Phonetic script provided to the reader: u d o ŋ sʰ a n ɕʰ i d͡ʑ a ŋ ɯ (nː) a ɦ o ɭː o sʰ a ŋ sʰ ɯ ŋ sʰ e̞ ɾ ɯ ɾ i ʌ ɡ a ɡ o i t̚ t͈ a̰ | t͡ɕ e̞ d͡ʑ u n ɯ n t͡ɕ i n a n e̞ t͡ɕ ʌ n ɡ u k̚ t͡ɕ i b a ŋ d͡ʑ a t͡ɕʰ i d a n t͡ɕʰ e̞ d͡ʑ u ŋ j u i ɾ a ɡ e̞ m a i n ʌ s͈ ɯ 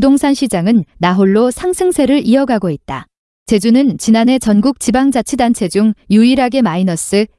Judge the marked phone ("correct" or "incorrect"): correct